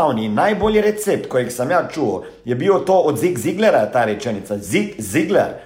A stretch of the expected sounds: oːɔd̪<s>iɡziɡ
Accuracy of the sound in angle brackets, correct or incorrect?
incorrect